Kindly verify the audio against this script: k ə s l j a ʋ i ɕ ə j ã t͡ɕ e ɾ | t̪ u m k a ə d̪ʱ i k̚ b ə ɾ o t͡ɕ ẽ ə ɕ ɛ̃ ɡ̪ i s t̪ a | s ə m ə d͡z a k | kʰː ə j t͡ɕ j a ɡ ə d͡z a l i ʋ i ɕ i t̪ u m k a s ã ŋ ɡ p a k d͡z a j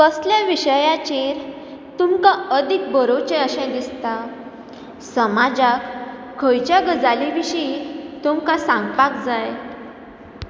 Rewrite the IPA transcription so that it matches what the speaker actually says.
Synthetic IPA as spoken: k ə s l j a ʋ i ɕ ə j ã t͡ɕ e ɾ | t̪ u m k a ə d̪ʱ i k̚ b ə ɾ o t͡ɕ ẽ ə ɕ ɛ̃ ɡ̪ i s t̪ a | s ə m a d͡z a k | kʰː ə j t͡ɕ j a ɡ ə d͡z a l i ʋ i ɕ i t̪ u m k a s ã ŋ ɡ p a k d͡z a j